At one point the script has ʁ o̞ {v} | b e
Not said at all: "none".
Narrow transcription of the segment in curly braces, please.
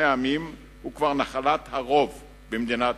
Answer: v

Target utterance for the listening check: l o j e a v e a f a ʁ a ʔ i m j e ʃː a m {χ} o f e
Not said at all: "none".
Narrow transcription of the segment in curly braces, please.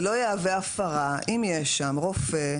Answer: ʁ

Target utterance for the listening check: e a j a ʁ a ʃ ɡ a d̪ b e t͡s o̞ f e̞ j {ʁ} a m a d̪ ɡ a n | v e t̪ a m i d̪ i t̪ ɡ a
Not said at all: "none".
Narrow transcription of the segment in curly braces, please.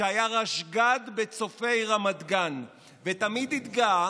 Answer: ʁ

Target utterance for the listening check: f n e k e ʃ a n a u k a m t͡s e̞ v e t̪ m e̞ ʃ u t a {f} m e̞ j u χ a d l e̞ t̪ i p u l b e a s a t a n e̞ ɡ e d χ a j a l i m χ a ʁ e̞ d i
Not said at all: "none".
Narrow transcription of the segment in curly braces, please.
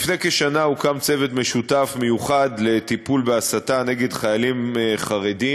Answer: f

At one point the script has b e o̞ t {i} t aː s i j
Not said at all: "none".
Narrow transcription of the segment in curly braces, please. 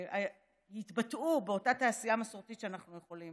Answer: a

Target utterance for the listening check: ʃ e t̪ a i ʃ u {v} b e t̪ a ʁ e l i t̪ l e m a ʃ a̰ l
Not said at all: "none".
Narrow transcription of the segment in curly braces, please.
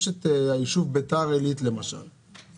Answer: v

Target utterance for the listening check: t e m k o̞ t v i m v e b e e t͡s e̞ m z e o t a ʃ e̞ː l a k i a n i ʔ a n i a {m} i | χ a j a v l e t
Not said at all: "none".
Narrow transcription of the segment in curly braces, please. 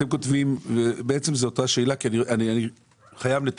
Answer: n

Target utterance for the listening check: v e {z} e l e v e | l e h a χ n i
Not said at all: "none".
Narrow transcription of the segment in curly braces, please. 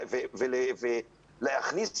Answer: v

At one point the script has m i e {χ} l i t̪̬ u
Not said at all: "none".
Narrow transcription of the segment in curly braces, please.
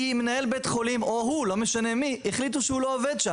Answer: χ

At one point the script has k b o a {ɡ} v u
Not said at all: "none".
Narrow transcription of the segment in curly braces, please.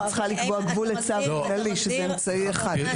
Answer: ɡ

